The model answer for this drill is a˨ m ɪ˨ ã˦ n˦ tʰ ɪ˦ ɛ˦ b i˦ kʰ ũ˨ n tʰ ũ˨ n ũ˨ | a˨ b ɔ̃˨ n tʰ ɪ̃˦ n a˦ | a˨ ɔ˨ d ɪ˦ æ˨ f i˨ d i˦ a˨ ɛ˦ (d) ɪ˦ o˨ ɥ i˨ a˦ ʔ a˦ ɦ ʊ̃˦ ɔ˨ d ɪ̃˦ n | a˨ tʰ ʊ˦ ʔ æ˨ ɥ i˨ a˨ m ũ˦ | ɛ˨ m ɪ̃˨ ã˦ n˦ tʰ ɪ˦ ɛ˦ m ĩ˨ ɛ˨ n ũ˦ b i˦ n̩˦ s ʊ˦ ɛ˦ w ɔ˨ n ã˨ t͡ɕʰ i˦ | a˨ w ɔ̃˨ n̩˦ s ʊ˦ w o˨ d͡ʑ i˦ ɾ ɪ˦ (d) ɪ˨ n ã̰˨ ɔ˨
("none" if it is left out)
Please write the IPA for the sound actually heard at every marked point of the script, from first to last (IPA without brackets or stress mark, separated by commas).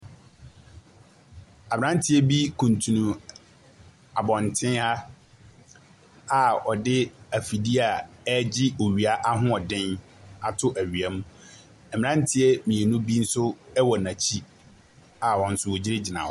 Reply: d͡ʑ, d͡ʑ